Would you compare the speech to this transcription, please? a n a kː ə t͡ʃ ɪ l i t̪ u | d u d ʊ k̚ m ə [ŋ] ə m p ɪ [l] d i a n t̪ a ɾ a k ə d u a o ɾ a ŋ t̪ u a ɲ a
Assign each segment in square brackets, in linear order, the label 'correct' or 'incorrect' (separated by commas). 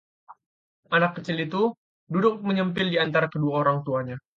incorrect, correct